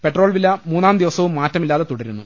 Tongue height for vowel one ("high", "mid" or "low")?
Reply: mid